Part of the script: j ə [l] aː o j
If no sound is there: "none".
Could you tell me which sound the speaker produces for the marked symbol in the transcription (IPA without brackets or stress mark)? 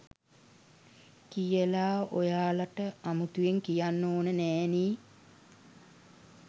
l